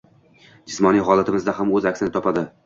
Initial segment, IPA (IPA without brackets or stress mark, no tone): d͡ʒ